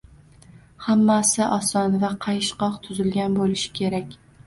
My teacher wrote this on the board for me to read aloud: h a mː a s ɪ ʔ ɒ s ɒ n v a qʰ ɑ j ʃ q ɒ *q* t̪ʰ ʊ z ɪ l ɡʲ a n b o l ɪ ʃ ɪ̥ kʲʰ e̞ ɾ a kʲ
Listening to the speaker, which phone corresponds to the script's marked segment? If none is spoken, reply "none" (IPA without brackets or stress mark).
q